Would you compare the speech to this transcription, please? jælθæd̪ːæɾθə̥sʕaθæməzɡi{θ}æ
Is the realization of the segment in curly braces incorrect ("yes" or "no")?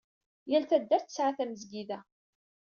yes